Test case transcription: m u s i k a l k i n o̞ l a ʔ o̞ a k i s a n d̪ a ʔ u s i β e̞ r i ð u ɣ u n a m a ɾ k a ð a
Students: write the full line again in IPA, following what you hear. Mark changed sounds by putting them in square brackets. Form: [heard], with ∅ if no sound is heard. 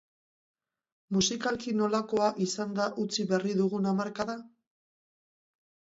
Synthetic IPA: m u s i k a l k i n o̞ l a [k] o̞ a [ʔ] i s a n d̪ a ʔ u [t͡s] i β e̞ r i ð u ɣ u n a m a ɾ k a ð a